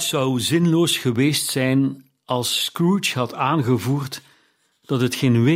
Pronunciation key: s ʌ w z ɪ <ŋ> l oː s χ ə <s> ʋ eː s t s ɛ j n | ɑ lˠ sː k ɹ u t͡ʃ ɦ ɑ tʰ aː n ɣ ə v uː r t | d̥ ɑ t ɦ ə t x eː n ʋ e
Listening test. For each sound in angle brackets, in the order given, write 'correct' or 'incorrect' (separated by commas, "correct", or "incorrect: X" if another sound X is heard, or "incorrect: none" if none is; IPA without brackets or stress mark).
incorrect: n, incorrect: none